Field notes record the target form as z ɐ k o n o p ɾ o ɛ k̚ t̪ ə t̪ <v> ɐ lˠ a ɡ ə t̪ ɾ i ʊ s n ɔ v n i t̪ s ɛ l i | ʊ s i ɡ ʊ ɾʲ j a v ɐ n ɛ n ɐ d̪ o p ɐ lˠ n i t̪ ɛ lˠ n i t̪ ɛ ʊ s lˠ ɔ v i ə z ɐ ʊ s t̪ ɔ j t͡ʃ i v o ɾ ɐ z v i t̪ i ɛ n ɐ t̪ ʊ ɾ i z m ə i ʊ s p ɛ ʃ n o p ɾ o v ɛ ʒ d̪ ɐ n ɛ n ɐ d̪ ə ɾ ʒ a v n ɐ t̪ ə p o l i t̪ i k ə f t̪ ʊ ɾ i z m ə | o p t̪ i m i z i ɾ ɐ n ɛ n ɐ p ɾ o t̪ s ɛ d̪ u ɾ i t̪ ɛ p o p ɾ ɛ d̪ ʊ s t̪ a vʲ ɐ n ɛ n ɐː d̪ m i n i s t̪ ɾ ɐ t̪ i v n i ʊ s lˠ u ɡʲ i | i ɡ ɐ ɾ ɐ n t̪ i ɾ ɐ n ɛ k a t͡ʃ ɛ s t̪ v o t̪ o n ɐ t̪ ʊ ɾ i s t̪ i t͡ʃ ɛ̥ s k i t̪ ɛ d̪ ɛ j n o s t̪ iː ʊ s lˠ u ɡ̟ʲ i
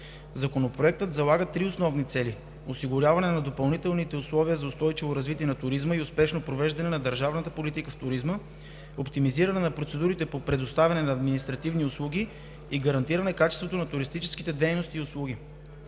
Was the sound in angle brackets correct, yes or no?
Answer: no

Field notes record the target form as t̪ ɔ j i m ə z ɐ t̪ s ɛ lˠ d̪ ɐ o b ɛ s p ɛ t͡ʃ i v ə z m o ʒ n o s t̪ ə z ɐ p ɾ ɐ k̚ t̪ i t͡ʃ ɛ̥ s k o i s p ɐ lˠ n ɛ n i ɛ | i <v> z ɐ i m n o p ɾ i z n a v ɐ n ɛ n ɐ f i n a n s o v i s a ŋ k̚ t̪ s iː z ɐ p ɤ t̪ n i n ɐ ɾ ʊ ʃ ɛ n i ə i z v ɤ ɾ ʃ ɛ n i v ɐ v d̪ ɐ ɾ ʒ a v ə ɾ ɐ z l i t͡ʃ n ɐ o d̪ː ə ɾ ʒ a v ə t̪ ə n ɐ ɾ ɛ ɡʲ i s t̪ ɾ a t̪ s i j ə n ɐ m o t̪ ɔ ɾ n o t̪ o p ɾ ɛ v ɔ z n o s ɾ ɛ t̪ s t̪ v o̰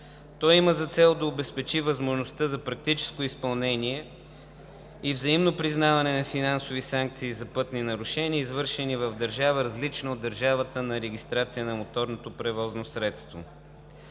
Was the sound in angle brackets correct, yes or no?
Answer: yes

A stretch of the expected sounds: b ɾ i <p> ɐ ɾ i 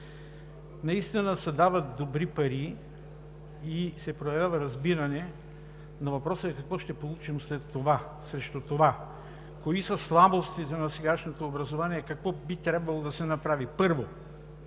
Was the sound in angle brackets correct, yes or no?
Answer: yes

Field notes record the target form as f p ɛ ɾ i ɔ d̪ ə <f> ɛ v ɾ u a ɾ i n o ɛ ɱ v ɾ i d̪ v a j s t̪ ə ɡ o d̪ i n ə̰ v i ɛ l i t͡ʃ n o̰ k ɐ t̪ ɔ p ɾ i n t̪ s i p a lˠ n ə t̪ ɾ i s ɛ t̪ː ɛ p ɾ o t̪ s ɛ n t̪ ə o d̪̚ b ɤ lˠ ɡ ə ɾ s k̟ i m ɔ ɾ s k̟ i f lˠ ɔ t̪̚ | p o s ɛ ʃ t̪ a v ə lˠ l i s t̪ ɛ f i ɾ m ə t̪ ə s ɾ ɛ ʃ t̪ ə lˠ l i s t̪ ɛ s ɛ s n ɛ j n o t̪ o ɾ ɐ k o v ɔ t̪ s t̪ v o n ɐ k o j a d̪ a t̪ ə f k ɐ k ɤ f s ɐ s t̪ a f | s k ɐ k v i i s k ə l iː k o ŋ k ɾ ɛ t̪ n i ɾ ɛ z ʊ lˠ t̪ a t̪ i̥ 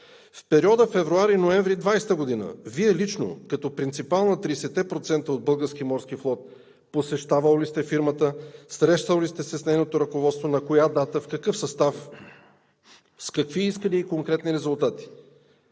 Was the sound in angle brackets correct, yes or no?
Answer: yes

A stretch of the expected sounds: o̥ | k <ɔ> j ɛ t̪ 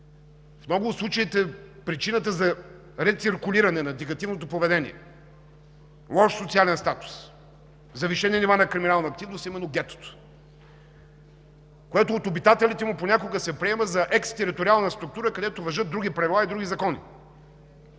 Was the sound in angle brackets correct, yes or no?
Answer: no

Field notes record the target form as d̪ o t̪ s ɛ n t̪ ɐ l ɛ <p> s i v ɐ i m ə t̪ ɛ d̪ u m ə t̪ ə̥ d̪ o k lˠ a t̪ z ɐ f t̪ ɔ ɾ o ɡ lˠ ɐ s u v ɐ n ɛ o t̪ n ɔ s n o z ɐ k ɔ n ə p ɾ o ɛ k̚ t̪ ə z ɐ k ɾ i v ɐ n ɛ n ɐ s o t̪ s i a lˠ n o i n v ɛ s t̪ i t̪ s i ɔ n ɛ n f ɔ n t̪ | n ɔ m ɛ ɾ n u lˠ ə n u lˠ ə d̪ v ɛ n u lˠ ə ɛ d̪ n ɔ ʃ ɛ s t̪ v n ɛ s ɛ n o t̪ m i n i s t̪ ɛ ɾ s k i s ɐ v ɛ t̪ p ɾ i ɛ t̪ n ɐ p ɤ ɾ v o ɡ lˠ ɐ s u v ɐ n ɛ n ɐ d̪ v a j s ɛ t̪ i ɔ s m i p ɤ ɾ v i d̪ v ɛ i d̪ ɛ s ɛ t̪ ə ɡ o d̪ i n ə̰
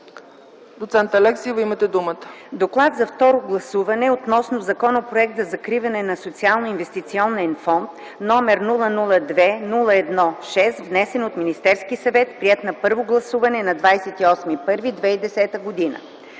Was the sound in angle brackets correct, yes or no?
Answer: no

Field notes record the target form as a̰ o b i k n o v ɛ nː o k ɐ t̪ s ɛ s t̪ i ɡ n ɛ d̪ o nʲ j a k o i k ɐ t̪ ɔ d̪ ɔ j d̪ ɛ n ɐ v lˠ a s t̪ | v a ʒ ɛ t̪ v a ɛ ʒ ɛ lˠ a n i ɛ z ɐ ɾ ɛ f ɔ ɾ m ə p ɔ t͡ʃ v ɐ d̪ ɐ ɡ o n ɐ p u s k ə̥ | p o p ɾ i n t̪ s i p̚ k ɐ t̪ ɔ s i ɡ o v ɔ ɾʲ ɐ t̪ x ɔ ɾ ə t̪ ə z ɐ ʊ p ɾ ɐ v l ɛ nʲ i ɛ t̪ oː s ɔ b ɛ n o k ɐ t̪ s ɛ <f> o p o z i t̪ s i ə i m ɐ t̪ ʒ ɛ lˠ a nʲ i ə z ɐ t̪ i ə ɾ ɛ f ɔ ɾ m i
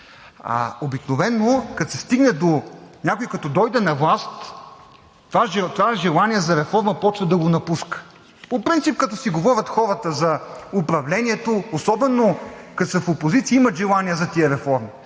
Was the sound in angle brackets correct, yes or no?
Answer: yes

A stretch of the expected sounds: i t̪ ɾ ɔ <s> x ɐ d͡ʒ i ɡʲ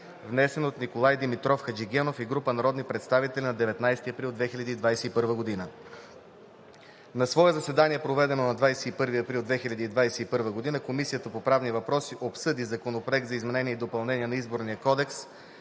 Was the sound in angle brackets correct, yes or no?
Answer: no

